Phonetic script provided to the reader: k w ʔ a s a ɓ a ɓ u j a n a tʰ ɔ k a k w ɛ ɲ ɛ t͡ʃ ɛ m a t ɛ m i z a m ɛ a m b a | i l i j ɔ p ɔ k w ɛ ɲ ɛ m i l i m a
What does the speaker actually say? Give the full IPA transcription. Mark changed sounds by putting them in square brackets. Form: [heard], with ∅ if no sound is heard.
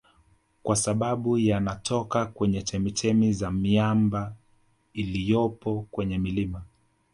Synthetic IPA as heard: k w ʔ a s a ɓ a ɓ u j a n a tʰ ɔ k a k w ɛ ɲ ɛ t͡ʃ ɛ m [i] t ɛ m i z a m [i] a m b a | i l i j ɔ p ɔ k w ɛ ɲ ɛ m i l i m a